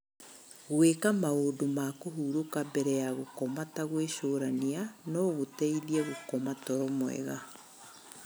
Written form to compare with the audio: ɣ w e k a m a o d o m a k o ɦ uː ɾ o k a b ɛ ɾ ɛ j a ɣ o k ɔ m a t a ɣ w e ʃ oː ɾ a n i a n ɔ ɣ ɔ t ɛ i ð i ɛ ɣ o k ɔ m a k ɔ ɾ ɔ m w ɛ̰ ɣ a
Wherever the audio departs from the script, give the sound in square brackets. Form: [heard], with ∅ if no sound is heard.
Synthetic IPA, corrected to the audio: ɣ w e k a m a o d o m a k o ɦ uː ɾ o k a b ɛ ɾ ɛ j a ɣ o k ɔ m a t a ɣ w e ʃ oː ɾ a n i a n ɔ ɣ [o] t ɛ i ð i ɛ ɣ o k ɔ m a [t] ɔ ɾ ɔ m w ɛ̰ ɣ a